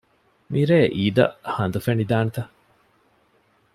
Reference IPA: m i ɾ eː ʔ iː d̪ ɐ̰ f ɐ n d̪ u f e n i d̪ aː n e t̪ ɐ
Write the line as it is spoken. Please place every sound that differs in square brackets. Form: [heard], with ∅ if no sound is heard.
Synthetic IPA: m i ɾ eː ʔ iː d̪ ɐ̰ [h] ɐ n d̪ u f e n i d̪ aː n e t̪ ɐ